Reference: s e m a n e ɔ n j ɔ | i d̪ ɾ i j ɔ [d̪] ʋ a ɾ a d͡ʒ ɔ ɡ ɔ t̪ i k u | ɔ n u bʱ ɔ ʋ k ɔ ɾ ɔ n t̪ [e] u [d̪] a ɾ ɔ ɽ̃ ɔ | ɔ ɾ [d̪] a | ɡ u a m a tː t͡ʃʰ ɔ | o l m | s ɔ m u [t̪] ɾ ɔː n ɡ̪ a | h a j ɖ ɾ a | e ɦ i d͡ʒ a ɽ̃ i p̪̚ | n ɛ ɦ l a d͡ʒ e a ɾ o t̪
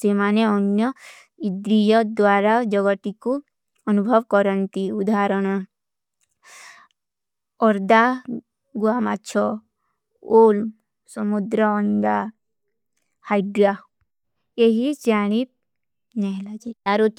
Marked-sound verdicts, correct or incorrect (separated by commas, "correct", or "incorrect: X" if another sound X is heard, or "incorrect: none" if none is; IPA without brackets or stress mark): correct, incorrect: i, correct, correct, incorrect: d̪